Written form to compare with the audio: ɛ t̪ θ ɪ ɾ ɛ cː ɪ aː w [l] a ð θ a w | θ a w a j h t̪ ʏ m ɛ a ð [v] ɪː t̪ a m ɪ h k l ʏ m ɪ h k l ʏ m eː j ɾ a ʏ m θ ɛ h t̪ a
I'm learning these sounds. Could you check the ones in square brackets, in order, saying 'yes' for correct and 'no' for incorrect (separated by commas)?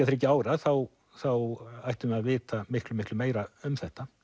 no, yes